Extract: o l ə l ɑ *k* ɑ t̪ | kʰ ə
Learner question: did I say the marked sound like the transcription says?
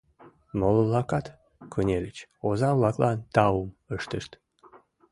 yes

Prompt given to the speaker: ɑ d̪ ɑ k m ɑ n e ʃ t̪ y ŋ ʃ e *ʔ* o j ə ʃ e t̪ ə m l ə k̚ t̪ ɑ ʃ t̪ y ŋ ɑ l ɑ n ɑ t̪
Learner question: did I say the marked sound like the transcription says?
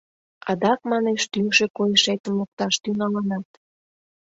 no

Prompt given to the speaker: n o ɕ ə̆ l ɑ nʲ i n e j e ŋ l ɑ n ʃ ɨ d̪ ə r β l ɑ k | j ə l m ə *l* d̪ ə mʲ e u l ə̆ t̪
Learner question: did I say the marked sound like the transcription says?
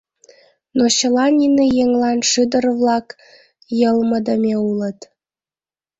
no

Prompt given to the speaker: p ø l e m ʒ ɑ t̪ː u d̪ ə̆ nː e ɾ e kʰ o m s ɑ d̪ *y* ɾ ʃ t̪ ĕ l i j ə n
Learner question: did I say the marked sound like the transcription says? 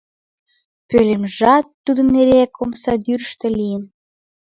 yes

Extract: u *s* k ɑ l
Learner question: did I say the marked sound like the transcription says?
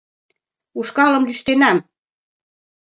no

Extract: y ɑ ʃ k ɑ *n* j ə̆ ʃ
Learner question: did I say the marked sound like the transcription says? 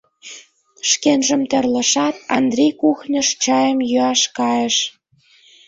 no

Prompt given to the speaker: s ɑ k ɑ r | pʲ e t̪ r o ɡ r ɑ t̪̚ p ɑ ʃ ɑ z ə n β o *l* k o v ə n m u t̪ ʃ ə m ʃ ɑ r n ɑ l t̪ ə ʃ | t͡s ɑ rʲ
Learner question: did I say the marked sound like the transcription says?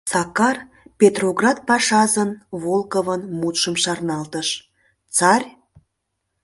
yes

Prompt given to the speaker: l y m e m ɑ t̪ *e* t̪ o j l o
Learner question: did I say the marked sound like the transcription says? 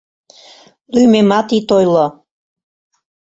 no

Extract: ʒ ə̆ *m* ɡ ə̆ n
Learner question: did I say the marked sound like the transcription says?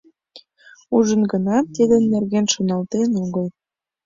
no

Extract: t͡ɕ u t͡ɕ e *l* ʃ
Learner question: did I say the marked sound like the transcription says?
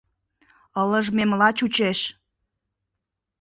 no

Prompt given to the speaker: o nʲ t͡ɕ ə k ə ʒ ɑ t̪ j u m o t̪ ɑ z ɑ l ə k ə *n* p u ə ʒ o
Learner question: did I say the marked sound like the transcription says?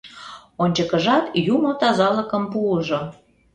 no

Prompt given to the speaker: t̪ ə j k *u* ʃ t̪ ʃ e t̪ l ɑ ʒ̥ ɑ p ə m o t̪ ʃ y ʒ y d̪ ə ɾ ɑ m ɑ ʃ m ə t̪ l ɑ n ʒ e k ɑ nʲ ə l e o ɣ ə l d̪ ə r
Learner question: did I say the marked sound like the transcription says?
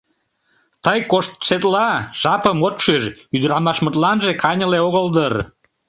no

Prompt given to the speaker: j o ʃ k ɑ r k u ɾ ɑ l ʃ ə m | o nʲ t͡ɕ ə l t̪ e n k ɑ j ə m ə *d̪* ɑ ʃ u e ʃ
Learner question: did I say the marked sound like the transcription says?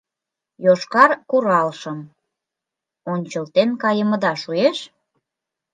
yes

